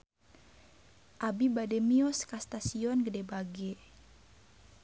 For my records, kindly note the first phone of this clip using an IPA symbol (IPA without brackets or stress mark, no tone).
ʔ